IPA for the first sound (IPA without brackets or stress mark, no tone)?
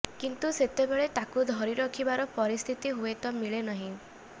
k